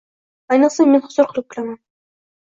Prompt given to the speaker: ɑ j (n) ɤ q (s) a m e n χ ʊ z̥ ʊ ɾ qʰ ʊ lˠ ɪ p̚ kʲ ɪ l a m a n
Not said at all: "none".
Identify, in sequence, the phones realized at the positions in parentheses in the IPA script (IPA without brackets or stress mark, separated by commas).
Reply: n, s